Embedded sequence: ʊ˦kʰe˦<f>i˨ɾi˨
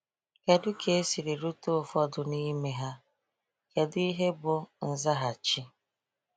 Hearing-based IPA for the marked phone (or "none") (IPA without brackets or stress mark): s